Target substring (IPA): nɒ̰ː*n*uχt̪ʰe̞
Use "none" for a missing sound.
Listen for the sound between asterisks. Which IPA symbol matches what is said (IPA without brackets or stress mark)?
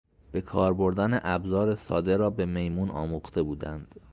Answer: m